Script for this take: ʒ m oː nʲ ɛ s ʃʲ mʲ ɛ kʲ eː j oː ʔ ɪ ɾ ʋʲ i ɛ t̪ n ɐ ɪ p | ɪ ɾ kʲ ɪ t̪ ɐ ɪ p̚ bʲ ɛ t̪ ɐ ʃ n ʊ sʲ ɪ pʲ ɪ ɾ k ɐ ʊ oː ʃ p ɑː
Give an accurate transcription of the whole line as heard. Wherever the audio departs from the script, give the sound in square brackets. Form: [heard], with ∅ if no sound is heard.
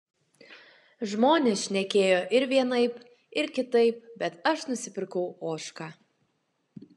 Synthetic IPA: ʒ m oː nʲ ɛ s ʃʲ [nʲ] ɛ kʲ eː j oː ʔ ɪ ɾ ʋʲ i ɛ [∅] n ɐ ɪ p | ɪ ɾ kʲ ɪ t̪ ɐ ɪ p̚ bʲ ɛ t̪ ɐ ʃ n ʊ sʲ ɪ pʲ ɪ ɾ k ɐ ʊ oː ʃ [k] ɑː

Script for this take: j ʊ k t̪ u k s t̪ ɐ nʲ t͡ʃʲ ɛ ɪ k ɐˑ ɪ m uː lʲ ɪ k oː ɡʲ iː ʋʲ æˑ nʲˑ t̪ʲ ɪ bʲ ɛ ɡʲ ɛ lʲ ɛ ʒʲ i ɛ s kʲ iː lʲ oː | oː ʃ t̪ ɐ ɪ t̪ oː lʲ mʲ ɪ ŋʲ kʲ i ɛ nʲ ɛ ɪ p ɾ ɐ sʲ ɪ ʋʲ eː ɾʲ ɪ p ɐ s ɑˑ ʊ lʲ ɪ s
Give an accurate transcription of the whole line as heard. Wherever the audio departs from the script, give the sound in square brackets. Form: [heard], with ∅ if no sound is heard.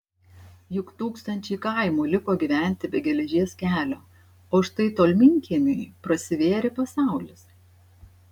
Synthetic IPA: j ʊ k t̪ [uː] k s t̪ ɐ nʲ t͡ʃʲ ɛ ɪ k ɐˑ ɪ m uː lʲ ɪ k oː ɡʲ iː ʋʲ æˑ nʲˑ t̪ʲ ɪ bʲ ɛ ɡʲ ɛ lʲ ɛ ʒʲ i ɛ s kʲ [æː] lʲ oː | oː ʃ t̪ ɐ ɪ t̪ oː lʲ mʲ ɪ ŋʲ kʲ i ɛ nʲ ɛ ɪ p ɾ ɐ sʲ ɪ ʋʲ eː ɾʲ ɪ p ɐ s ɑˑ ʊ lʲ ɪ s

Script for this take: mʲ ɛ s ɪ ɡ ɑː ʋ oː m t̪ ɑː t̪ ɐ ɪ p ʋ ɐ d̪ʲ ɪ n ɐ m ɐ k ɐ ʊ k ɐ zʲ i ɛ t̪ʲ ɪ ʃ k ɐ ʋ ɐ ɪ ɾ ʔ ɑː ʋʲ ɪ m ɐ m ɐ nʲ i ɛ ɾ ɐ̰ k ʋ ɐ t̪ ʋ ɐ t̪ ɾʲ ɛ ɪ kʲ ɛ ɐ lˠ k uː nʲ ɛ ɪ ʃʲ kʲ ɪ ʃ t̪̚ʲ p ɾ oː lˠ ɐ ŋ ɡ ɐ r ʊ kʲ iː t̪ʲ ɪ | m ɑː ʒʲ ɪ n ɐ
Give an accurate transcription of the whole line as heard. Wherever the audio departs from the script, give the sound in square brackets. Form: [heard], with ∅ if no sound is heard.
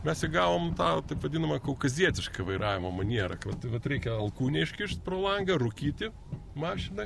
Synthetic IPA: mʲ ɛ s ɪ ɡ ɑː ʋ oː m t̪ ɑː t̪ ɐ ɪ p ʋ ɐ d̪ʲ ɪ n ɐ m ɐ k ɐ ʊ k ɐ zʲ i ɛ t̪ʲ ɪ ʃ k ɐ ʋ ɐ ɪ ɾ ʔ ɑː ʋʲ ɪ m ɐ m ɐ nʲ i ɛ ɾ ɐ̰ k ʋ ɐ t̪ ʋ ɐ t̪ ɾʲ ɛ ɪ kʲ ɛ ɐ lˠ k uː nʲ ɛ ɪ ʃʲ kʲ ɪ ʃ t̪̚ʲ p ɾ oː lˠ ɐ ŋ ɡ ɐ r ʊ kʲ iː t̪ʲ ɪ | m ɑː [ʃʲ] ɪ n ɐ

